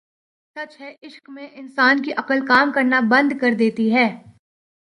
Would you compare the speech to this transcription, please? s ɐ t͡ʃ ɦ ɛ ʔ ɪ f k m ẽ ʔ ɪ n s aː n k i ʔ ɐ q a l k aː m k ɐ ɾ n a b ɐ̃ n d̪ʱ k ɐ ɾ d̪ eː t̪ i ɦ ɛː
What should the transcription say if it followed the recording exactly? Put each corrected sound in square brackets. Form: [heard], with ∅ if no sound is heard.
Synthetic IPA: s ɐ t͡ʃ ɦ ɛ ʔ ɪ [ʃ] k m ẽ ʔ ɪ n s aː n k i ʔ ɐ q [ə] l k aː m k ɐ ɾ n a b ɐ̃ n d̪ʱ k ɐ ɾ d̪ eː t̪ i ɦ ɛː